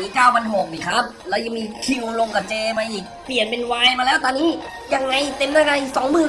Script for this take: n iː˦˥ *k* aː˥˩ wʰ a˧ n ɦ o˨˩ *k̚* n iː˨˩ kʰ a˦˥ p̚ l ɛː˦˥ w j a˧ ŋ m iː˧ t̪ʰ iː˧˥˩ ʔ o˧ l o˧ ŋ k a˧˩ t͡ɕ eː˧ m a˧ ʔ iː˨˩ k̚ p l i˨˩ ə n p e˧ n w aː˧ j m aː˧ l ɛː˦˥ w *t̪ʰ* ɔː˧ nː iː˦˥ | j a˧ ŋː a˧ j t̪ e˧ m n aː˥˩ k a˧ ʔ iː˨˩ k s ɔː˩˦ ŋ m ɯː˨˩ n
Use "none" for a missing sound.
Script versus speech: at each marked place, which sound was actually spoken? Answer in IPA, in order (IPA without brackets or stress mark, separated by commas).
k, k̚, t̪